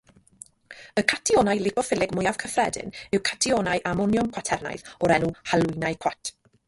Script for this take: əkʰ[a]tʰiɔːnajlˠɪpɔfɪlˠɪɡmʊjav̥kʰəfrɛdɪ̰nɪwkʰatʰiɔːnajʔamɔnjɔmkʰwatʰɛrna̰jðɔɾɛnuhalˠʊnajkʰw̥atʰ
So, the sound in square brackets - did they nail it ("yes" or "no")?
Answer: yes